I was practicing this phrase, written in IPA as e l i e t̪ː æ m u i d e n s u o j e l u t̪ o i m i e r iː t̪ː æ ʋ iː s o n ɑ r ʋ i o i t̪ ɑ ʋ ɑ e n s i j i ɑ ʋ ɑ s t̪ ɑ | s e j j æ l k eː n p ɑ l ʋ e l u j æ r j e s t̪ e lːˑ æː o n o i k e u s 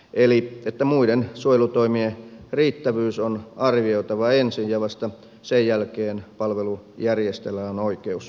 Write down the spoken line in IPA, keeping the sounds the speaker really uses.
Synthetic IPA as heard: e l i e t̪ː æ m u i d e n s u o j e l u t̪ o i m i e r iː t̪ː æ ʋ yː s o n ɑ r ʋ i o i t̪ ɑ ʋ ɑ e n s i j j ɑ ʋ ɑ s t̪ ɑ | s e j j æ l k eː n p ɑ l ʋ e l u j æ r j e s t̪ e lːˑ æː o n o i k e u s